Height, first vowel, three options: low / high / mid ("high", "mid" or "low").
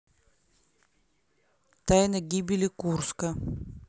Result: low